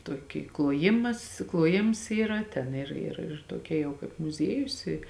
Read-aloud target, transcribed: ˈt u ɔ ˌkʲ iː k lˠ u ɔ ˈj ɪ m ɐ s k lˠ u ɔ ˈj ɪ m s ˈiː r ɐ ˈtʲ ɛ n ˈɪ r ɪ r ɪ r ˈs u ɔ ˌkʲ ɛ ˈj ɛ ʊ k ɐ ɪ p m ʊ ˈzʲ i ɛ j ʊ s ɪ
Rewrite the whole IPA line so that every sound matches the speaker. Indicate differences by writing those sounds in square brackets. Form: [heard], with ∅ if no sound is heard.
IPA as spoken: ˈt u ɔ ˌkʲ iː k lˠ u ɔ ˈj ɪ m ɐ s k lˠ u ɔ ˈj ɪ m s ˈiː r ɐ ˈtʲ ɛ n ˈɪ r ɪ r ɪ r [ˈt] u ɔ ˌkʲ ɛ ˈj ɛ ʊ k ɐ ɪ p m ʊ ˈzʲ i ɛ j ʊ s ɪ